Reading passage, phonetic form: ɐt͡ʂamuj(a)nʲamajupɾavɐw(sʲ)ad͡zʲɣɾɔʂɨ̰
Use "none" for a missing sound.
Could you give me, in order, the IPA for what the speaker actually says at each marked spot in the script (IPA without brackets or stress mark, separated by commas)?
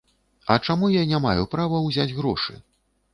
a, zʲ